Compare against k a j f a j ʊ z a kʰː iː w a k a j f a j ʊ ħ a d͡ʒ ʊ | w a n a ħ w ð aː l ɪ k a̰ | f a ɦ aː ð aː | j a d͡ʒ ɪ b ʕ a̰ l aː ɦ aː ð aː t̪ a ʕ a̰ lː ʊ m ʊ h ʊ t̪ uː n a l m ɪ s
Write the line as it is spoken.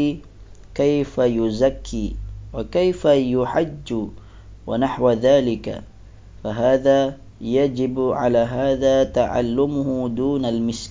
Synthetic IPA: k a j f a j ʊ z a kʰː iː w a k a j f a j ʊ ħ a d͡ʒː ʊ | w a n a ħ w ð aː l ɪ k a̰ | f a ɦ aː ð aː | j a d͡ʒ ɪ b ʕ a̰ l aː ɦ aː ð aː t̪ a ʕ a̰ lː ʊ m ʊ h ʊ d̪ uː n a l m ɪ s